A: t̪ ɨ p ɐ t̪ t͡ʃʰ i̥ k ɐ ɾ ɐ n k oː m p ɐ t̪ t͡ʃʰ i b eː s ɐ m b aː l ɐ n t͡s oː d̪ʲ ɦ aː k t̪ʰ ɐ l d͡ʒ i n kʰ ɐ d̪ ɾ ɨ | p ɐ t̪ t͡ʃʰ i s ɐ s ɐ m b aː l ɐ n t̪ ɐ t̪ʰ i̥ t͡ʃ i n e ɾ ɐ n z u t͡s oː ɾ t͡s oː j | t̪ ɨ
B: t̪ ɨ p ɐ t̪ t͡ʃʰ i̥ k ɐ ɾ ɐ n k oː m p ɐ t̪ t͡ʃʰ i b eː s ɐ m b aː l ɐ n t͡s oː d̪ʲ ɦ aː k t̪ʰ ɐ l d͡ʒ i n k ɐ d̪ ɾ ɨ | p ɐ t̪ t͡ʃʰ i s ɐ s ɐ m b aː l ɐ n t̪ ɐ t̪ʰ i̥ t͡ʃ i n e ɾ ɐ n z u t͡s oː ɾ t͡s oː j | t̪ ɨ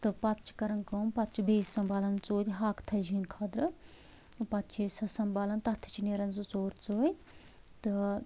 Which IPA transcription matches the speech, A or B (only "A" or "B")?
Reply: A